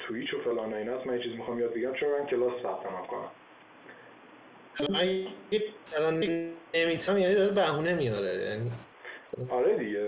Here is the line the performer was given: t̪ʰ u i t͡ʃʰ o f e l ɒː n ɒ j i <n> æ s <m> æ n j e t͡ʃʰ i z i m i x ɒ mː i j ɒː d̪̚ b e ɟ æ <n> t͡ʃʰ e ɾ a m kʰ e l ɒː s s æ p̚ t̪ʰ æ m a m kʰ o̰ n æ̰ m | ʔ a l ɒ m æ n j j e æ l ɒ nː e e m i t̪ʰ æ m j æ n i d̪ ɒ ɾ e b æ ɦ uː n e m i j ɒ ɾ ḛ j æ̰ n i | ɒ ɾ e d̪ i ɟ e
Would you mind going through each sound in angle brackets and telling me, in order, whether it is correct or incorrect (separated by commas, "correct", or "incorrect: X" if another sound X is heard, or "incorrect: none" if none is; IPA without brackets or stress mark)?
correct, correct, incorrect: m